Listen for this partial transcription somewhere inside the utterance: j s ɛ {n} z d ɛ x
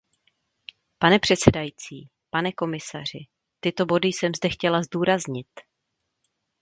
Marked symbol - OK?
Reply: no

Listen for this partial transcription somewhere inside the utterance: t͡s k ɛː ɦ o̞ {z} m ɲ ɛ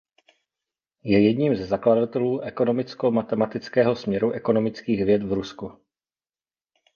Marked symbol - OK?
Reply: no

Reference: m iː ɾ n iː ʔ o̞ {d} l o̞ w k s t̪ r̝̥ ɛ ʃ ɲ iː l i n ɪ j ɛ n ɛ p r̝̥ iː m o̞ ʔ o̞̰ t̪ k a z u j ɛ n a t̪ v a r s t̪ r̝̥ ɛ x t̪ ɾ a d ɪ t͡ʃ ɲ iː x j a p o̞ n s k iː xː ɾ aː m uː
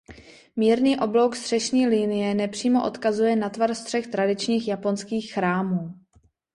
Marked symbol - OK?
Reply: no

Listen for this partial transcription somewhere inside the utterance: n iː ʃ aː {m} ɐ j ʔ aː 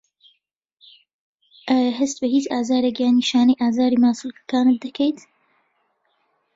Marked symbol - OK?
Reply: no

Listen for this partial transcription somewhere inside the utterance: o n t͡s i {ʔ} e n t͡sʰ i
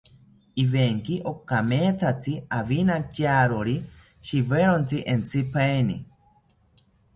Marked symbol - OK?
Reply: yes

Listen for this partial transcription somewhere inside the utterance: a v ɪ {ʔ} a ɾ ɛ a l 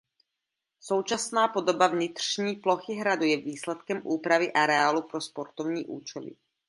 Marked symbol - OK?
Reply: yes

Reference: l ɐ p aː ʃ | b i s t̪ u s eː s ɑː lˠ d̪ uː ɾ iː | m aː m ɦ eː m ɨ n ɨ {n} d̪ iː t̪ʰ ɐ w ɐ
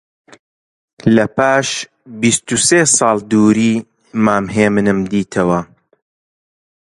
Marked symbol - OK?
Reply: no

